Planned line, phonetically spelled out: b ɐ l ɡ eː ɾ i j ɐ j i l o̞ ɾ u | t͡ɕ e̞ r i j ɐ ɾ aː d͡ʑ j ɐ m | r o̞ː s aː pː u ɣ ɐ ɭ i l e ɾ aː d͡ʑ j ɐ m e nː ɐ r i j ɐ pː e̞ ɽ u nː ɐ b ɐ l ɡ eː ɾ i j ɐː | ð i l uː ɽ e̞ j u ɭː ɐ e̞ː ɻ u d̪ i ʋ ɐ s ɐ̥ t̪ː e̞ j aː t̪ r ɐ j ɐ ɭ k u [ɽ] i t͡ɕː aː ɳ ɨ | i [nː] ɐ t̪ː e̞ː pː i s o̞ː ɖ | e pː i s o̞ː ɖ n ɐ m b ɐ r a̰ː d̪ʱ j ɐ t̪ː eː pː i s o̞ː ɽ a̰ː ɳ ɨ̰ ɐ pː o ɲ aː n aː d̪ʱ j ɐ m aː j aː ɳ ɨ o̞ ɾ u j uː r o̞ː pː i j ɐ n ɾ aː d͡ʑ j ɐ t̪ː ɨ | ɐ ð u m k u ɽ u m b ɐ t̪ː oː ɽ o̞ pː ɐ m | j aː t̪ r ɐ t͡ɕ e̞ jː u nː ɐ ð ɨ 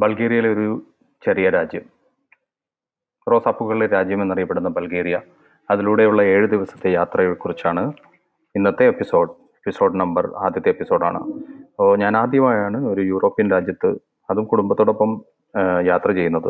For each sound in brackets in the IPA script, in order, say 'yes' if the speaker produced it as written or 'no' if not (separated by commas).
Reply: no, yes